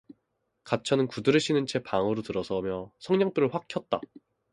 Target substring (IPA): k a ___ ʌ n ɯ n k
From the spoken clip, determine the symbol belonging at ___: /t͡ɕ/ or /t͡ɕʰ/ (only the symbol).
t͡ɕʰ